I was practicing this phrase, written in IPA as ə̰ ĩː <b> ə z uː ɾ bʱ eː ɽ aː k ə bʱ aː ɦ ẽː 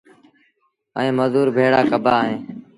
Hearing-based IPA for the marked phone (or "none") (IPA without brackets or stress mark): m